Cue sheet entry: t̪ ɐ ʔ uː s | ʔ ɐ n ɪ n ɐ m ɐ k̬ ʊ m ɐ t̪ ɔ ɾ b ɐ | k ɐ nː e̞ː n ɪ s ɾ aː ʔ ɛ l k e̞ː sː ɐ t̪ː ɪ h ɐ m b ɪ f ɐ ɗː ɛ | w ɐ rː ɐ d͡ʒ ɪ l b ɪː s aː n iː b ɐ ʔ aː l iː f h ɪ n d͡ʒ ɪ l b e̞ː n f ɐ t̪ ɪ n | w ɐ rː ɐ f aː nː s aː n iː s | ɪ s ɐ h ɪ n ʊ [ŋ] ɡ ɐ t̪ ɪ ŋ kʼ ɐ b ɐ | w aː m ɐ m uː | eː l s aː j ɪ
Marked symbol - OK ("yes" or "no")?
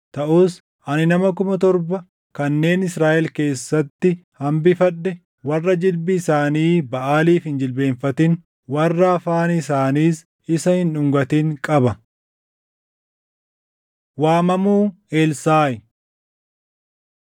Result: yes